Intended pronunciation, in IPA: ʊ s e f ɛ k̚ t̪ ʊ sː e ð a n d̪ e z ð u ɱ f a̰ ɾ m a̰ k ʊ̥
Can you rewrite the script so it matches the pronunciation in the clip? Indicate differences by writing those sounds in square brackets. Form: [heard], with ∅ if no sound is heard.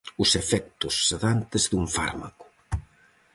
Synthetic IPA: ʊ s e f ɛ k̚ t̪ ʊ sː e ð a n [t̪] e z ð u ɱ f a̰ ɾ m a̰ k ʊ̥